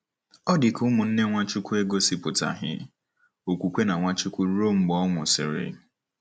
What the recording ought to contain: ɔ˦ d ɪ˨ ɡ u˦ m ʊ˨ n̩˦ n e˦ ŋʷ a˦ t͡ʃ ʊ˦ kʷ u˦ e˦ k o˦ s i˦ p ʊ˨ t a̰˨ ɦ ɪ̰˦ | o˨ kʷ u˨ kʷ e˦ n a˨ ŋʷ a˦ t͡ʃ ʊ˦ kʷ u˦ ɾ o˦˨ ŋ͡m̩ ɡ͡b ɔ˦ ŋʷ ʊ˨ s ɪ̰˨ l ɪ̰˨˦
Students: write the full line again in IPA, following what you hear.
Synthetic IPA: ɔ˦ d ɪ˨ k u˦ m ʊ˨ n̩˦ n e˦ ŋʷ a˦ t͡ʃ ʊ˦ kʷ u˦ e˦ ɡ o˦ s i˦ p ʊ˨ t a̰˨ ɦ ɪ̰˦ | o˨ kʷ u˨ kʷ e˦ n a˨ ŋʷ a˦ t͡ʃ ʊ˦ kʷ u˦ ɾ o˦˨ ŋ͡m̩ ɡ͡b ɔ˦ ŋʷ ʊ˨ s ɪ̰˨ ɾ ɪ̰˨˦